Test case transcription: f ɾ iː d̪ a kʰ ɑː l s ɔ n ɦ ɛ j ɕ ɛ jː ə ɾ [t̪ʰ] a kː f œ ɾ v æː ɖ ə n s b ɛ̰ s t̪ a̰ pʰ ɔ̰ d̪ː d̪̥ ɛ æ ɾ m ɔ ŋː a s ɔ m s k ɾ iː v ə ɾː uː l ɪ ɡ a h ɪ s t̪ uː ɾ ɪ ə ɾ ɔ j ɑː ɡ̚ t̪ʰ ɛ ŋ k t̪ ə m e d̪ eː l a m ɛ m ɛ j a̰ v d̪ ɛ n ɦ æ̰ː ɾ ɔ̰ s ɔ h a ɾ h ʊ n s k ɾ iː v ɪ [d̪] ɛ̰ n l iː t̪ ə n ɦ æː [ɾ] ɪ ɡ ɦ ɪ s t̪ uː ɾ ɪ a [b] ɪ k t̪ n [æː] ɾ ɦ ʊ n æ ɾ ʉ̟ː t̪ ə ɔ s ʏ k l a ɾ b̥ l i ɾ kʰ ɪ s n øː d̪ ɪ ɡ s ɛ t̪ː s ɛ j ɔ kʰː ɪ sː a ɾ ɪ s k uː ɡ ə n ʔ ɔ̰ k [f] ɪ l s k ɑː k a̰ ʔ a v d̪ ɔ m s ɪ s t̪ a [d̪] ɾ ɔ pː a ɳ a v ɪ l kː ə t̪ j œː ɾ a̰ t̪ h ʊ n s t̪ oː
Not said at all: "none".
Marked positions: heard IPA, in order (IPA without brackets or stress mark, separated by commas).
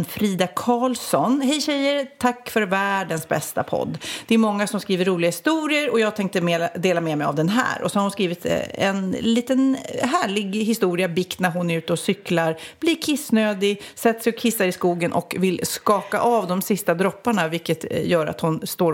t̪ʰ, t̪, ɭ, b, æ, v, d̪